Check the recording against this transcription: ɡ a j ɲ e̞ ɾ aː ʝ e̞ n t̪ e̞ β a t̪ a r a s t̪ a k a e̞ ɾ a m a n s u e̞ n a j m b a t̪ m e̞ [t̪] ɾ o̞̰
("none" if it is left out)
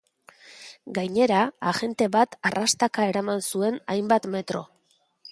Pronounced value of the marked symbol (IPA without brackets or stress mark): t̪